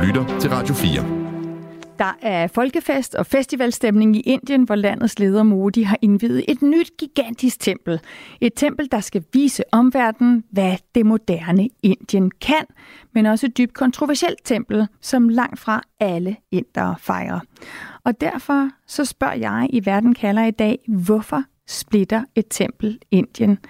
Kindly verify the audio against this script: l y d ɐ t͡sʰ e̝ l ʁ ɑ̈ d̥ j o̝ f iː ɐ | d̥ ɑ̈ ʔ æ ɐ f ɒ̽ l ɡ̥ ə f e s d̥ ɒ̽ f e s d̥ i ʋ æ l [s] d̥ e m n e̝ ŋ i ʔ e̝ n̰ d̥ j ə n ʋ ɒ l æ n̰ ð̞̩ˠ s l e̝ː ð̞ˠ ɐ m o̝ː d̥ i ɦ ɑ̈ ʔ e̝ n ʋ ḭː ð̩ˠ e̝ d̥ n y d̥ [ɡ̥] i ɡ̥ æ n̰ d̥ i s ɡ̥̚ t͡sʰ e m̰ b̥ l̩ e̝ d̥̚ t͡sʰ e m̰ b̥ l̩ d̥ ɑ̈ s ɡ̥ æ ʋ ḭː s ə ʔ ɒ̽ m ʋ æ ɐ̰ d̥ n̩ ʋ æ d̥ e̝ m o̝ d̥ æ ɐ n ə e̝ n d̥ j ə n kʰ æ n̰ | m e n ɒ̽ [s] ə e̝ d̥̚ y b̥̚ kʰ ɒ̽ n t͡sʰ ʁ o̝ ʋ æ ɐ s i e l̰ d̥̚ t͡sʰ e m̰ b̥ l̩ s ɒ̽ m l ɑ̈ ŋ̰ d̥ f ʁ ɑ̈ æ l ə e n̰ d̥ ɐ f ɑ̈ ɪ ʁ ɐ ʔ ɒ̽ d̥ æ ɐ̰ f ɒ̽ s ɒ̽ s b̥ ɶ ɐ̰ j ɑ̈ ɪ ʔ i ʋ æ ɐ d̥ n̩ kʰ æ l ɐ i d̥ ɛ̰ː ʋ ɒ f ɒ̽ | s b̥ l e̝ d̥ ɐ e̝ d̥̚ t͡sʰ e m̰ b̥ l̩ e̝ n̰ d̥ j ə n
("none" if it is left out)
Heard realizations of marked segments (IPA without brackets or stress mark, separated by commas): s, ɡ̥, s